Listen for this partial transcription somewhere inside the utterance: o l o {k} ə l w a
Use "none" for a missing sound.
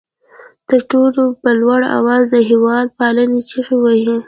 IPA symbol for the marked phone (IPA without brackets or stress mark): p